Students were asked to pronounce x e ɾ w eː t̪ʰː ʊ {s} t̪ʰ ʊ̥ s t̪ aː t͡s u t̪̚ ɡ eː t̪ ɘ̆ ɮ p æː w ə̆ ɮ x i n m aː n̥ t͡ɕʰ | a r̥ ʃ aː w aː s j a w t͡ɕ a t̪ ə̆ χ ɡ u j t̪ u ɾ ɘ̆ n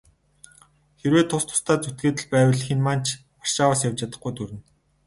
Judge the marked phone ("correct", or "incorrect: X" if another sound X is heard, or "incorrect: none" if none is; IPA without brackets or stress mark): correct